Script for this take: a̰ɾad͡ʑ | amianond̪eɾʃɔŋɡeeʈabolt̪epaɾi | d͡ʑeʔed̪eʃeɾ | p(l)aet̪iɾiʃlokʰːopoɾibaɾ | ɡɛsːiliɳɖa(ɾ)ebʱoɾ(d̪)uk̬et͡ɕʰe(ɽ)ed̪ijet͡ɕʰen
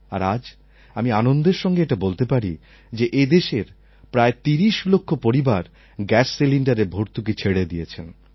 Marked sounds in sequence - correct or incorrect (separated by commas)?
incorrect, correct, incorrect, correct